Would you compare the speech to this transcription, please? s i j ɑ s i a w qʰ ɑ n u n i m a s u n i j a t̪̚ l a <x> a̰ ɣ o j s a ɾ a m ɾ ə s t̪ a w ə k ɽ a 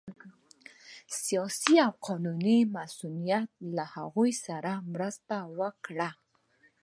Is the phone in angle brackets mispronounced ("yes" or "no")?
yes